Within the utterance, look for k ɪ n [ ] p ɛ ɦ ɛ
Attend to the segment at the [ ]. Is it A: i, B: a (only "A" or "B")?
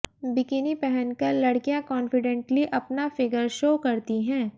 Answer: A